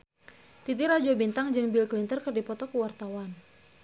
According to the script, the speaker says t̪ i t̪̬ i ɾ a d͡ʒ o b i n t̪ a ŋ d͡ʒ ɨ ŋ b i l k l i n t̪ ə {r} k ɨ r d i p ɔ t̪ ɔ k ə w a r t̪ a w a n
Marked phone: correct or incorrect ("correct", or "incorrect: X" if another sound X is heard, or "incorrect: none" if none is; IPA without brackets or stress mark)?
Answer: correct